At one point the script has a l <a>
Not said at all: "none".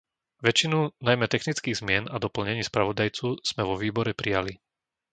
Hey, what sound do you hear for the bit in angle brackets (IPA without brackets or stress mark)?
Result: i